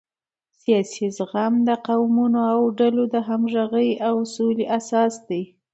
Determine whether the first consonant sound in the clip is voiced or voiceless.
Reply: voiceless